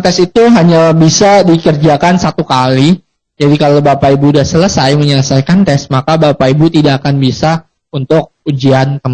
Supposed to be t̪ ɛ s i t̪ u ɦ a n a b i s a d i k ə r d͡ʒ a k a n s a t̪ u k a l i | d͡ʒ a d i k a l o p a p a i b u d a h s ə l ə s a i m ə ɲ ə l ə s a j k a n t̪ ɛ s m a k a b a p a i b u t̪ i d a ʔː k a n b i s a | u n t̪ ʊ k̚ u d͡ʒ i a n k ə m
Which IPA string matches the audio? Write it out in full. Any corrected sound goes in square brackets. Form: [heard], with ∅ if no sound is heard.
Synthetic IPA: t̪ ɛ s i t̪ u ɦ a [ɲ] a b i s a d i k ə r d͡ʒ a k a n s a t̪ u k a l i | d͡ʒ a d i k a l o [b] a p a i b u d a h s ə l ə s a [j] m ə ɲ ə l ə s a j k a n t̪ ɛ s m a k a b a p a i b u t̪ i d a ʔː k a n b i s a | u n t̪ ʊ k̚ u d͡ʒ i a n k ə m